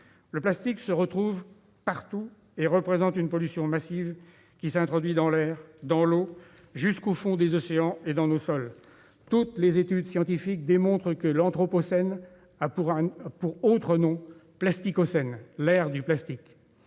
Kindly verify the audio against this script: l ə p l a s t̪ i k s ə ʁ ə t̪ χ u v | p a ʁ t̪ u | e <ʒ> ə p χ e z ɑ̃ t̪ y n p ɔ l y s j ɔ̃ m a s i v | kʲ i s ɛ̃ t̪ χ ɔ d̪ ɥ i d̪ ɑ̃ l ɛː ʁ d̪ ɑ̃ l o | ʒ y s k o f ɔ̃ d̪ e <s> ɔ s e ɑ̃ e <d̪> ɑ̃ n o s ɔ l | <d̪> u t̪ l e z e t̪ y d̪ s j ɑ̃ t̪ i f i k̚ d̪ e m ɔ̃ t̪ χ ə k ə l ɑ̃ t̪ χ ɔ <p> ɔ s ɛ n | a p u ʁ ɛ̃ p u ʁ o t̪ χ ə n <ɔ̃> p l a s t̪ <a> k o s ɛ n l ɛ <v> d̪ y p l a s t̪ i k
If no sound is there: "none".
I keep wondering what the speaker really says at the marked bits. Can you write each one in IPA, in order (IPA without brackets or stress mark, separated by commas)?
ʁ, z, d̪, t̪, p, ɔ̃, i, ʁ